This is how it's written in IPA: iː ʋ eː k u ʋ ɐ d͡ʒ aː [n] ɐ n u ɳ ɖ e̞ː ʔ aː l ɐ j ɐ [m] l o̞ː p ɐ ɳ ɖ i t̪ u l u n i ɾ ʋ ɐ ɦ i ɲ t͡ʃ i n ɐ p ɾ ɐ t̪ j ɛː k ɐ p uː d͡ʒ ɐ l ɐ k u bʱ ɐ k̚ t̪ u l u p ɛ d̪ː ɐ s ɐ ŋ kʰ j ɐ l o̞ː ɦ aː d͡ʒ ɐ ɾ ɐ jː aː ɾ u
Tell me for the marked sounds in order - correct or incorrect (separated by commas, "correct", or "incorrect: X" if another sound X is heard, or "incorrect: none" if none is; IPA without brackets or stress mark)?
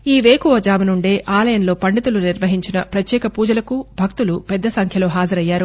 incorrect: m, incorrect: n